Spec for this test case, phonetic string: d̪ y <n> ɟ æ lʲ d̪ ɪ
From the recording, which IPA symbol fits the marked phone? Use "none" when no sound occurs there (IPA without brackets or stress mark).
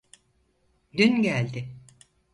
n